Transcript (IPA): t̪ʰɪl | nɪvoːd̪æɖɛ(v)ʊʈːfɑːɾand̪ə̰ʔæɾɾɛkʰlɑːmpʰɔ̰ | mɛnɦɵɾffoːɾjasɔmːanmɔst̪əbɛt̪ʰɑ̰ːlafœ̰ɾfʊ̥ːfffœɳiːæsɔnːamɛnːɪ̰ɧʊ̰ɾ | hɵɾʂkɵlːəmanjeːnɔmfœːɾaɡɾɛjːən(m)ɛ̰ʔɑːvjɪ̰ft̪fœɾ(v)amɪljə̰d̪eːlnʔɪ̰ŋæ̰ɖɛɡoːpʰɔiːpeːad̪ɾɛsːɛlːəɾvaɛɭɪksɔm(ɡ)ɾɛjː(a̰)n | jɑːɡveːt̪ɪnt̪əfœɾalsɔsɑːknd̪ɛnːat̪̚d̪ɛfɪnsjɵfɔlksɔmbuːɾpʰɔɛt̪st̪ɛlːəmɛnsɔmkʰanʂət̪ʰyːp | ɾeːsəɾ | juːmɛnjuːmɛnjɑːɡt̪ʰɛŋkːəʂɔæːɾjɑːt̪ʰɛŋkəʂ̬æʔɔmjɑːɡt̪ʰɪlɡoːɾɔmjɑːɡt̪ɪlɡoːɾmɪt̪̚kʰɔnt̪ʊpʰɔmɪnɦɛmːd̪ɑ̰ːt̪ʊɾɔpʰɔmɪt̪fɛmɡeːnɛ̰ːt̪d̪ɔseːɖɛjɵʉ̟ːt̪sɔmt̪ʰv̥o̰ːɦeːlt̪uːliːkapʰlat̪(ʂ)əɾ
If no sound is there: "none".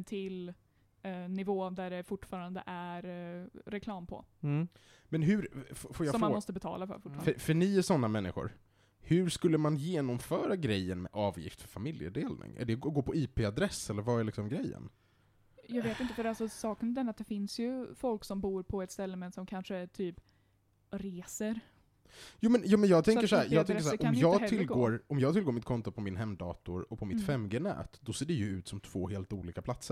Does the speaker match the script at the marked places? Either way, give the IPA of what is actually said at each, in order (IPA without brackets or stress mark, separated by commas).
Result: f, m, f, ɡ, ə̰, s